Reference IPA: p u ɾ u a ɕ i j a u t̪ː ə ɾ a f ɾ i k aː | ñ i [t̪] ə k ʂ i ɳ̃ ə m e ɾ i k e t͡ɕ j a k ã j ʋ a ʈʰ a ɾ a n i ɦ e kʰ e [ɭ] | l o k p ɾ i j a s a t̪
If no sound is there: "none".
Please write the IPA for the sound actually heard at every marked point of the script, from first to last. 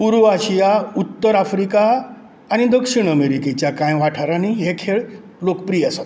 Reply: d̪, ɭ

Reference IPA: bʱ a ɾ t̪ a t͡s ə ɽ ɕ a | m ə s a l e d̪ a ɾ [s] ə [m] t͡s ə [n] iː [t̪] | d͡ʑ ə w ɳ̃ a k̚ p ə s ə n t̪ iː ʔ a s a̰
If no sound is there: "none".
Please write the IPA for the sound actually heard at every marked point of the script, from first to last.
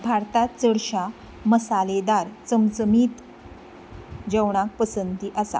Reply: t͡s, m, m, t̪

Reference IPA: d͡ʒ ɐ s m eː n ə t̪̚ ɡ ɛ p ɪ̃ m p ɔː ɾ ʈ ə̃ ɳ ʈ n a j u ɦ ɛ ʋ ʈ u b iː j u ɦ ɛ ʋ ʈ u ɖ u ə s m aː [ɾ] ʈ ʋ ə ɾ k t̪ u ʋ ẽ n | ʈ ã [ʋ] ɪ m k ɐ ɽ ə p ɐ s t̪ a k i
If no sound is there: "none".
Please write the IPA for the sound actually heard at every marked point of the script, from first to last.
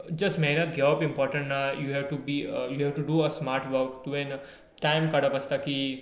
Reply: ɾ, none

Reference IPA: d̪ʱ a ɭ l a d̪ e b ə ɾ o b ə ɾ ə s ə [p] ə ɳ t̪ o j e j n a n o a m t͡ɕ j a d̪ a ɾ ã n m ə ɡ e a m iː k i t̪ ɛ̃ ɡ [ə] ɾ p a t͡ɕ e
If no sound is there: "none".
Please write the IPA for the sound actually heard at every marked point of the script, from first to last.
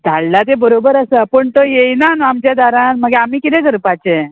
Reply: p, ə

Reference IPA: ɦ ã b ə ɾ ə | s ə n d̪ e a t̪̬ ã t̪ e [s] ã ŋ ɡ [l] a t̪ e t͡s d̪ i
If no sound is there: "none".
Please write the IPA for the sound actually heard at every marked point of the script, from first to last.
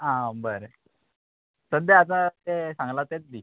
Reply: s, l

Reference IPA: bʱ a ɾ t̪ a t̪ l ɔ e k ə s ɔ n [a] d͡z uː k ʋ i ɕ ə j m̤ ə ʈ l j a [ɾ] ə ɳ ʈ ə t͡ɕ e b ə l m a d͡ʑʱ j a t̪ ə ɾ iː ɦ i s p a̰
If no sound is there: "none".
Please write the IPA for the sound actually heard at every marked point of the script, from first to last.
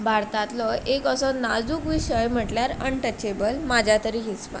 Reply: a, ɾ

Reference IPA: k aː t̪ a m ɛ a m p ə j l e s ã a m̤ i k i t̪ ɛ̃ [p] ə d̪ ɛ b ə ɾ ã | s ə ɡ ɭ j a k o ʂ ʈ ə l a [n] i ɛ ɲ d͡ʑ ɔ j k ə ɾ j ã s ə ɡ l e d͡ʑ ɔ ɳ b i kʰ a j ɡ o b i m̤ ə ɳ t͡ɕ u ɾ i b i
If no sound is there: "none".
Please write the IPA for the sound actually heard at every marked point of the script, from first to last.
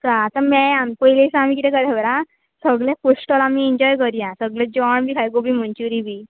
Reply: k, m

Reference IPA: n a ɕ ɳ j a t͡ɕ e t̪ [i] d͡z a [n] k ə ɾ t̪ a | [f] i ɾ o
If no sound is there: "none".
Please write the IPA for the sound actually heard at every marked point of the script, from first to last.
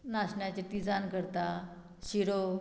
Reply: i, n, ɕ

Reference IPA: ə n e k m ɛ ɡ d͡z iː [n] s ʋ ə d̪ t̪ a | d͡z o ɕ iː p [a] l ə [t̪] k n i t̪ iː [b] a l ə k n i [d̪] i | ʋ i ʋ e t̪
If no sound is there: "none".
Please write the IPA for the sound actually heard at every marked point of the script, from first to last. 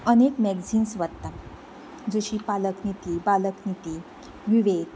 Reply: n, a, none, b, t̪

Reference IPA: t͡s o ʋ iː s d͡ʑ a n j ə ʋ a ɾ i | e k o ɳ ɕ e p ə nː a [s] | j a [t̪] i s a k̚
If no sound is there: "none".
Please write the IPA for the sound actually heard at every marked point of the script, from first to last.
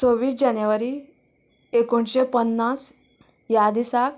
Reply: s, d̪

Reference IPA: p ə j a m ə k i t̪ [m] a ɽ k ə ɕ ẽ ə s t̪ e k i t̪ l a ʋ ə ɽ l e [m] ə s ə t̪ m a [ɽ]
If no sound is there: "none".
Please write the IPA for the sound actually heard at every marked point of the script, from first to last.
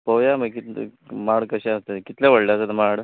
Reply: m, none, ɽ

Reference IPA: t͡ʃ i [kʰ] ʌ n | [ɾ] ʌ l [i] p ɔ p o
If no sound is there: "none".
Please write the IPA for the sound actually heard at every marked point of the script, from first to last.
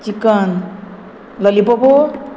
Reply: k, l, i

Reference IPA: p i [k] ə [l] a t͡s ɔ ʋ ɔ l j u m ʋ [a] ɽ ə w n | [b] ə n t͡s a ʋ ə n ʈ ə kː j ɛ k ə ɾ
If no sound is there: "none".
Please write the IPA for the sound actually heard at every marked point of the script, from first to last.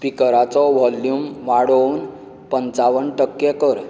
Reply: k, ɾ, a, p

